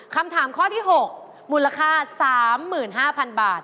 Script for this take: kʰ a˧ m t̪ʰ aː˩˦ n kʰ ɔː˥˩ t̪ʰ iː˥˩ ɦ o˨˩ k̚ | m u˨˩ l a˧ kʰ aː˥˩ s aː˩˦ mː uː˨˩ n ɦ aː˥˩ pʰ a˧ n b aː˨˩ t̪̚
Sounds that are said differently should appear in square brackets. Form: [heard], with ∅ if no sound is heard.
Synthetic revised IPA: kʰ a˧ m t̪ʰ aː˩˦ [m] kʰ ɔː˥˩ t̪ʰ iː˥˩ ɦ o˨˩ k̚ | m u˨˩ l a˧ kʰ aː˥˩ s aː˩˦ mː [ɯː˨˩] n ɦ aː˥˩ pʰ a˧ n b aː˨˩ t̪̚

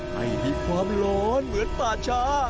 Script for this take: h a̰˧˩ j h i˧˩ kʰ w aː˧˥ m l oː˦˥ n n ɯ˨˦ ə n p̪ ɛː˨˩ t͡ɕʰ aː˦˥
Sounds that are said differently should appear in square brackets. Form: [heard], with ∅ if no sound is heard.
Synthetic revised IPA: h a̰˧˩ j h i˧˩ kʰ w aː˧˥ m l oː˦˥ n [m] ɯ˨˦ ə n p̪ [aː˨˩] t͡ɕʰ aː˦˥

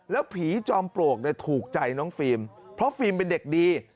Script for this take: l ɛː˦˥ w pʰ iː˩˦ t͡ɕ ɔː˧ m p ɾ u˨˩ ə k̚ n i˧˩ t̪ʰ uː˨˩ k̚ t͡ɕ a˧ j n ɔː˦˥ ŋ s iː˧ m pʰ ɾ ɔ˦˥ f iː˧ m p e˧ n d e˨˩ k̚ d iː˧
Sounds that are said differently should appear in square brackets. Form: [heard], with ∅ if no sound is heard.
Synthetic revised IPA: l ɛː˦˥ w pʰ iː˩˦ t͡ɕ ɔː˧ m p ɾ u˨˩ ə k̚ n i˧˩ t̪ʰ uː˨˩ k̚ t͡ɕ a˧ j n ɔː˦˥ ŋ [f] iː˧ m pʰ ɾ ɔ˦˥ f iː˧ m p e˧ n d e˨˩ k̚ d iː˧

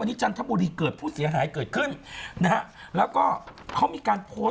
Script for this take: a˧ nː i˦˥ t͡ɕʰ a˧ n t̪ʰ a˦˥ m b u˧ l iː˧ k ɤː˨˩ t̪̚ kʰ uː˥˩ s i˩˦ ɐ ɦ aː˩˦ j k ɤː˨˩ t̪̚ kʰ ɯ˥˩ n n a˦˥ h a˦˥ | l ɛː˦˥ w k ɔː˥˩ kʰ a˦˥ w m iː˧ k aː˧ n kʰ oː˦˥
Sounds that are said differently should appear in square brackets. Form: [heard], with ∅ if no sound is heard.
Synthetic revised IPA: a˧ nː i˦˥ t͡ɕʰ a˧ n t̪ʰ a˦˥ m b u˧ [ɾ] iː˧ k ɤː˨˩ t̪̚ [pʰ] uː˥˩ s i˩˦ ɐ ɦ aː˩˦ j k ɤː˨˩ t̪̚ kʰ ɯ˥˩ n n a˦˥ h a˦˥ | l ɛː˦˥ w k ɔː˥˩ kʰ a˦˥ w m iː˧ k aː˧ n [pʰ] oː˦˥

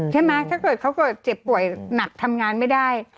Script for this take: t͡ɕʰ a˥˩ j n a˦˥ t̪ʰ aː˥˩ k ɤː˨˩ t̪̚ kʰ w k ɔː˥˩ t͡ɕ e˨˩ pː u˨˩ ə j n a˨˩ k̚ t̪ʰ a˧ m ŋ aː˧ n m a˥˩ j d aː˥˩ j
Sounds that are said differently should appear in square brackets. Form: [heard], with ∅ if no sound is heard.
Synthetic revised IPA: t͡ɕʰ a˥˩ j [m] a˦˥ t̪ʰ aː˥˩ k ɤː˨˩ t̪̚ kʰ w k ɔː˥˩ t͡ɕ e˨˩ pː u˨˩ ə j n a˨˩ k̚ t̪ʰ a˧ m ŋ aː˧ n m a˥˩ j d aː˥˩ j

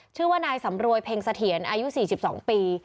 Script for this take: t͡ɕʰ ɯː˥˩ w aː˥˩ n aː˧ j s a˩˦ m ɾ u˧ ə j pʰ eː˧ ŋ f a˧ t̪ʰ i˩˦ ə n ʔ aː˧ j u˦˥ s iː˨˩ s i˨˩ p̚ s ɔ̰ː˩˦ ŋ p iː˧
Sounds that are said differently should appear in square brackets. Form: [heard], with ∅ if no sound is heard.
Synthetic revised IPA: t͡ɕʰ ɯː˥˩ w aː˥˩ n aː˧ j s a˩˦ m ɾ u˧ ə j pʰ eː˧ ŋ [s] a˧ t̪ʰ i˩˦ ə n ʔ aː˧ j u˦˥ s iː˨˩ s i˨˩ p̚ s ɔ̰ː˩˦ ŋ p iː˧

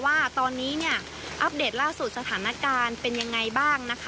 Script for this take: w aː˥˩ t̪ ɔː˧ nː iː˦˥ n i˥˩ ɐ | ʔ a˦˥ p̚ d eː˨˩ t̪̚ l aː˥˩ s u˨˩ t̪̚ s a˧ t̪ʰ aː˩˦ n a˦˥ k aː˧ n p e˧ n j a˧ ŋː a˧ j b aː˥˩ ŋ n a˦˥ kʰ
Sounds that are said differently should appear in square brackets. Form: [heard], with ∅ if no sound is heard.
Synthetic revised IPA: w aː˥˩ t̪ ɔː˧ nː iː˦˥ n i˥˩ ɐ | ʔ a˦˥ p̚ d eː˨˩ t̪̚ l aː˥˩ s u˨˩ t̪̚ s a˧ t̪ʰ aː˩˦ n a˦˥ k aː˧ n p e˧ n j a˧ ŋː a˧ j b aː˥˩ ŋ n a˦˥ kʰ

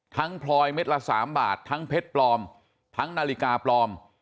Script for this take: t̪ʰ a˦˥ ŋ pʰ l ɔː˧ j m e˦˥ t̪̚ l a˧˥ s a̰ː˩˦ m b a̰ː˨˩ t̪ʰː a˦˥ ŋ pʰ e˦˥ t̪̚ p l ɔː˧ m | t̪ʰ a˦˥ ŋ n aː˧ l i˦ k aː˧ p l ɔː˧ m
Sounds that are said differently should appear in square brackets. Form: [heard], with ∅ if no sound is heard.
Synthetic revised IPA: t̪ʰ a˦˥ ŋ pʰ l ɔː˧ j m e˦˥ t̪̚ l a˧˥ s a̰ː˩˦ m b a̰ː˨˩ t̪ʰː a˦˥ ŋ pʰ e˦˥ t̪̚ p l ɔː˧ m | t̪ʰ a˦˥ ŋ n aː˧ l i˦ k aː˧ p l ɔː˧ m

